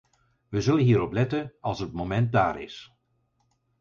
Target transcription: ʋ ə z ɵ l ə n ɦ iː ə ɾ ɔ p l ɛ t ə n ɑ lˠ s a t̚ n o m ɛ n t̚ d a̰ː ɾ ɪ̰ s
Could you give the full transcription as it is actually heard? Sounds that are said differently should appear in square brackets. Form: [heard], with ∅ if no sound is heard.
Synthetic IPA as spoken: ʋ ə z ɵ l ə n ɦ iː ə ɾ ɔ p l ɛ t ə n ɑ lˠ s [ə] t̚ [m] o m ɛ n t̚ d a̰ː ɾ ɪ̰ s